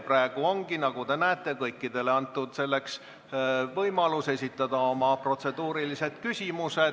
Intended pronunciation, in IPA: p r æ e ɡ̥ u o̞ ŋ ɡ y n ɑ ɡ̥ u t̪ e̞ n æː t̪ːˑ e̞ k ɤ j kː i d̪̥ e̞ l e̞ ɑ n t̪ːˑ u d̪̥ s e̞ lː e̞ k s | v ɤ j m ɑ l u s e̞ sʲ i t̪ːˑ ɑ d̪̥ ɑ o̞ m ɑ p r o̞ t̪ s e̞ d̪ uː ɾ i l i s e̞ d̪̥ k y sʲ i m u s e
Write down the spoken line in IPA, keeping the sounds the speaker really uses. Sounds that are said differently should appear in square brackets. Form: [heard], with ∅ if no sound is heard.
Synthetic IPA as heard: p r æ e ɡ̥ u o̞ ŋ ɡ [i] n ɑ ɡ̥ u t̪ e̞ n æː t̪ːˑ e̞ k ɤ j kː i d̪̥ e̞ l e̞ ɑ n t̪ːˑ u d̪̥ s e̞ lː e̞ k s | v ɤ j m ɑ l u s e̞ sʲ i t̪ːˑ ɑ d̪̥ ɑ o̞ m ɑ p r o̞ t̪ s e̞ d̪ uː ɾ i l i s e̞ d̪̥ k y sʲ i m u s e